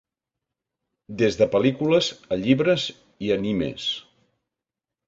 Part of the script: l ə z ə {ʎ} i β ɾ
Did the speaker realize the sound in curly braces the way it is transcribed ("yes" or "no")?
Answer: yes